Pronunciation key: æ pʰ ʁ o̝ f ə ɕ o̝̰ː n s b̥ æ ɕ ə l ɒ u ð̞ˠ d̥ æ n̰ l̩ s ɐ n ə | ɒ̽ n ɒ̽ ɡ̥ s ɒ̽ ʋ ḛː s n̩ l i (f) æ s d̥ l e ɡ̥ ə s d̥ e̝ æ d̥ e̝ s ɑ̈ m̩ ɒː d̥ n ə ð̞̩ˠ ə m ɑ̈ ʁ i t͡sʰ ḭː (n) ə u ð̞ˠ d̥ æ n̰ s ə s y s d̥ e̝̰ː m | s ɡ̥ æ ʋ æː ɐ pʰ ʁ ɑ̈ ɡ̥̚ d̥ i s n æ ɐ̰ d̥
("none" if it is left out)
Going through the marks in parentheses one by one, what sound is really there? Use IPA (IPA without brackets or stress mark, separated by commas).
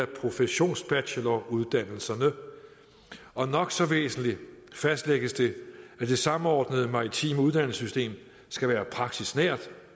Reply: f, m